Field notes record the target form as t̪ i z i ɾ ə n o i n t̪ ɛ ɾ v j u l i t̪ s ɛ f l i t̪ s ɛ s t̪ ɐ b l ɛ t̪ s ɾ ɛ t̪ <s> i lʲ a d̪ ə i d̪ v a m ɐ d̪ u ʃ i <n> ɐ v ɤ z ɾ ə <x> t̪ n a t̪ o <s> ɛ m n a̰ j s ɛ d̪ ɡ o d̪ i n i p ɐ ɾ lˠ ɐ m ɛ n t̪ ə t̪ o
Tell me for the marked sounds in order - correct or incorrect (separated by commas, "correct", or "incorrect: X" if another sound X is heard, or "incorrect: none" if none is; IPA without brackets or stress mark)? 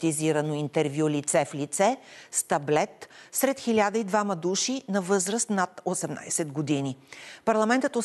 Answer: incorrect: x, correct, incorrect: s, correct